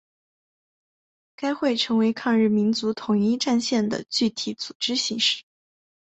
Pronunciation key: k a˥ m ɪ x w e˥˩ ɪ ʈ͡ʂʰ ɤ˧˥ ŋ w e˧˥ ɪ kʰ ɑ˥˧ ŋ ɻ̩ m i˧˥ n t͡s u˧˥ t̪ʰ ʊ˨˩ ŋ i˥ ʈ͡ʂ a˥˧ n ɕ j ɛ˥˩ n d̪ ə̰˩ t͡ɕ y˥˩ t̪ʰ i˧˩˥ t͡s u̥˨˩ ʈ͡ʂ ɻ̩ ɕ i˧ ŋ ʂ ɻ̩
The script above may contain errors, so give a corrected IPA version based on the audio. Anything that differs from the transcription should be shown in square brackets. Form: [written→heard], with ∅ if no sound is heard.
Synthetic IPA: k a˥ [m→∅] ɪ x w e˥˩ ɪ ʈ͡ʂʰ ɤ˧˥ ŋ w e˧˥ ɪ kʰ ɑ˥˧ ŋ ɻ̩ m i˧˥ n t͡s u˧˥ t̪ʰ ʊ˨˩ ŋ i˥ ʈ͡ʂ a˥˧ n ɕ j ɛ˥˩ n d̪ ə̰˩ t͡ɕ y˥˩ t̪ʰ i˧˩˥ t͡s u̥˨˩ ʈ͡ʂ ɻ̩ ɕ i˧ ŋ ʂ ɻ̩